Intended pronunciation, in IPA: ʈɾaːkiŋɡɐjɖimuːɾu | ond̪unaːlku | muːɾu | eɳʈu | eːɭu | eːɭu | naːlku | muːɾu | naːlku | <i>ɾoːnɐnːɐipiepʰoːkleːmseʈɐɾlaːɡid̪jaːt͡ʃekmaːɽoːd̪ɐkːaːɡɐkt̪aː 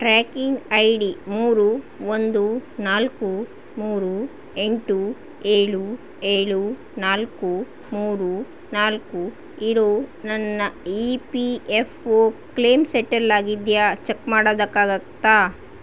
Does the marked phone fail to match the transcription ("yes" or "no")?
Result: no